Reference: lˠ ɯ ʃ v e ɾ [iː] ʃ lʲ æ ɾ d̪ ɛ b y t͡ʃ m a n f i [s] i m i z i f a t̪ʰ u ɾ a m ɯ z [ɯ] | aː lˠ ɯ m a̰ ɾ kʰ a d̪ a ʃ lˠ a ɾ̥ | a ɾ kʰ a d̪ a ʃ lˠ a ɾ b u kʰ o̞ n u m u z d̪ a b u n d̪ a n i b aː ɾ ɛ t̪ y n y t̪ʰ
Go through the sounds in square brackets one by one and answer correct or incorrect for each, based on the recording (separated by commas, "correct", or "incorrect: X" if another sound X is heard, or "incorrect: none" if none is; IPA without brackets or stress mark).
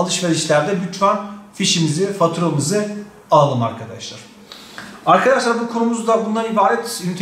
incorrect: i, incorrect: ʃ, correct